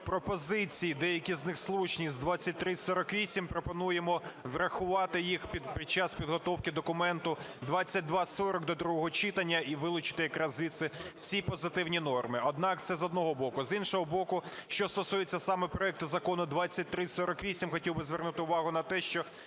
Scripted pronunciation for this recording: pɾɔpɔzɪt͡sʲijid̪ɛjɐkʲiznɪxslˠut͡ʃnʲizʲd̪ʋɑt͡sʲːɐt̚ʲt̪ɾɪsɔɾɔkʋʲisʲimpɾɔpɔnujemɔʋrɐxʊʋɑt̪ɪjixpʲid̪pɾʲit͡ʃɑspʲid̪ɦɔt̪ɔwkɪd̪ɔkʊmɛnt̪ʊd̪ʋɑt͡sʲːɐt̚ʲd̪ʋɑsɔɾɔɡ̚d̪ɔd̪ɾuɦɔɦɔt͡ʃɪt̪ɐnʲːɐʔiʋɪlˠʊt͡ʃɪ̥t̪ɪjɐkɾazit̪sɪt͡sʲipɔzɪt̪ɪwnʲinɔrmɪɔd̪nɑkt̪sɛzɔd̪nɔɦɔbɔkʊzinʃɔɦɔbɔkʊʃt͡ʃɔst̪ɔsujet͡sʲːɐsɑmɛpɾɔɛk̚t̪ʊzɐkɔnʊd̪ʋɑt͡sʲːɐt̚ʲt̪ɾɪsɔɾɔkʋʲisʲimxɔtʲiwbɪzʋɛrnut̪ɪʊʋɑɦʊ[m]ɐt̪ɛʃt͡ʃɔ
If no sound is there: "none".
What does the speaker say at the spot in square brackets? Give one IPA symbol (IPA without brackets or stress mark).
n